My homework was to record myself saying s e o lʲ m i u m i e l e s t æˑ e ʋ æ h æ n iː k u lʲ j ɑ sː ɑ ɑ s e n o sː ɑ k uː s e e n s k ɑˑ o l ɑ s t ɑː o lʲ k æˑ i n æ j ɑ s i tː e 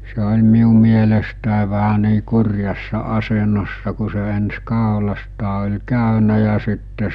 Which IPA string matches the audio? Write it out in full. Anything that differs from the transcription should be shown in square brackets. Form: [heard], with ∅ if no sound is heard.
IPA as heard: s e o lʲ m i u m i e l e s t æˑ e ʋ æ h æ n iː k u [rʲ] j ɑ sː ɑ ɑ s e n o sː ɑ k [u] s e e n s k ɑˑ o l ɑ s t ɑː o lʲ k æˑ [y] n æ j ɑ s i tː e